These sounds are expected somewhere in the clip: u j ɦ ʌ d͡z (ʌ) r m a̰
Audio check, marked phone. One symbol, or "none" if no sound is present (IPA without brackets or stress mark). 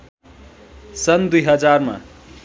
a